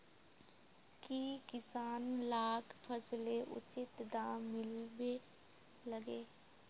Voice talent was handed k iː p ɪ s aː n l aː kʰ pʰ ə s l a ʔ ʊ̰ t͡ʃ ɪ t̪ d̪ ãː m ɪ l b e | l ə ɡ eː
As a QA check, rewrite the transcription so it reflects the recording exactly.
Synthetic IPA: k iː k ɪ s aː n l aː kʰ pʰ ə s l e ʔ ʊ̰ t͡ʃ ɪ t̪ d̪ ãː m ɪ l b e | l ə ɡ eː